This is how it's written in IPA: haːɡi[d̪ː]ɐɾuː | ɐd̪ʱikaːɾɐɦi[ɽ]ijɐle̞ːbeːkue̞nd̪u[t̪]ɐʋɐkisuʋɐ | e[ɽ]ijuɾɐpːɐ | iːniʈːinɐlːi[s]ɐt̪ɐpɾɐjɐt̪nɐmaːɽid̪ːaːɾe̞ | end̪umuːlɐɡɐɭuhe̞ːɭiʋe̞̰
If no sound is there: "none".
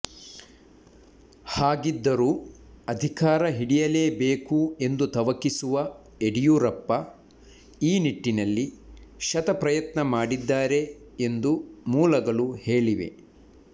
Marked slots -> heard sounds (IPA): d̪ː, ɽ, t̪, ɽ, ʃ

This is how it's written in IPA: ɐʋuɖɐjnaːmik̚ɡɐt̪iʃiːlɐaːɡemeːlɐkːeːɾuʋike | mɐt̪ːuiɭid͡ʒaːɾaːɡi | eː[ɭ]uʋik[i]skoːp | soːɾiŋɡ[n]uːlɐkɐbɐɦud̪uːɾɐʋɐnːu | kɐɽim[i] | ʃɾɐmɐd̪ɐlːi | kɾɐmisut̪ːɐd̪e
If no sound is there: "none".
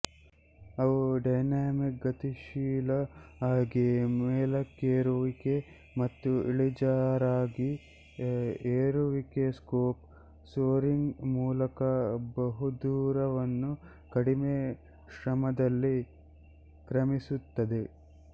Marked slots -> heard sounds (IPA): ɾ, e, m, e

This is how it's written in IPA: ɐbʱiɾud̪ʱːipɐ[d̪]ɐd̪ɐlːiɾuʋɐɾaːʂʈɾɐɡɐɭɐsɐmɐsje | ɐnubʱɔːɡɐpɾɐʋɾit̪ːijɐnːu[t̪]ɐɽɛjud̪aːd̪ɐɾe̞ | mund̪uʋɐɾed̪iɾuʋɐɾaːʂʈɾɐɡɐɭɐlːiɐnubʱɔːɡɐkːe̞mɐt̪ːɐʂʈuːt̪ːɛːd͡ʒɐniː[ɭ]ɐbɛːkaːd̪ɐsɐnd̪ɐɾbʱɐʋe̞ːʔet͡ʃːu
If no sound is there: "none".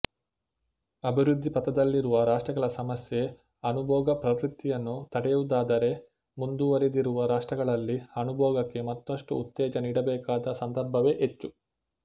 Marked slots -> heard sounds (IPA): t̪, t̪, ɽ

